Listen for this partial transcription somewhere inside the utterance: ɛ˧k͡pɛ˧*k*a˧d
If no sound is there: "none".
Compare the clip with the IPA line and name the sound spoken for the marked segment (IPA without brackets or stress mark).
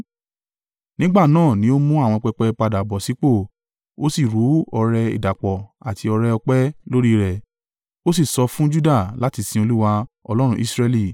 k͡p